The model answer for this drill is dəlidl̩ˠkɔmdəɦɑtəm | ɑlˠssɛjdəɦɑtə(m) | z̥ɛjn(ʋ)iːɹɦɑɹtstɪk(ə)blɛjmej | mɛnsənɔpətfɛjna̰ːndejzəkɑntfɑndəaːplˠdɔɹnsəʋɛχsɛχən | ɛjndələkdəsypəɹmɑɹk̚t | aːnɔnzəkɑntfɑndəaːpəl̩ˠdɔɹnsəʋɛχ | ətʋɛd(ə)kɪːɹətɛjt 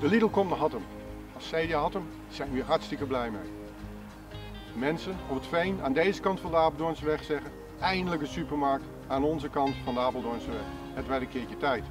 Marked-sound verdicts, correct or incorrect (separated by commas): correct, correct, correct, correct